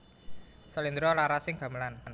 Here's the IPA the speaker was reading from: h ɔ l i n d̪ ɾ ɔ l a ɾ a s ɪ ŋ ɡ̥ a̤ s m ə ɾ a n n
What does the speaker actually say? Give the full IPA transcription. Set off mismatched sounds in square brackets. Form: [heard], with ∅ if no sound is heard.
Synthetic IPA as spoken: [s] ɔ l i n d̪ ɾ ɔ l a ɾ a s ɪ ŋ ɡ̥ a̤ [∅] m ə [l] a n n